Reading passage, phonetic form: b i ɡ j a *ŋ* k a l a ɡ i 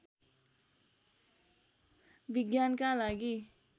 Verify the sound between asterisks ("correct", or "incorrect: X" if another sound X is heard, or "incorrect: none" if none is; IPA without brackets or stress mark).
incorrect: n